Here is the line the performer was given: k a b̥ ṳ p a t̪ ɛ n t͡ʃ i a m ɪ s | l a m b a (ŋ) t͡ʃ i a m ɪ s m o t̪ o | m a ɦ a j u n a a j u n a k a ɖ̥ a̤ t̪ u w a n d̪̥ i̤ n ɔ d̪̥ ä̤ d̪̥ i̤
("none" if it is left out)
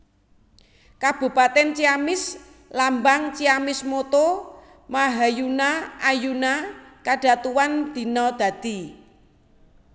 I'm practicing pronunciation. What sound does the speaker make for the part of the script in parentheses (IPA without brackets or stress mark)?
ŋ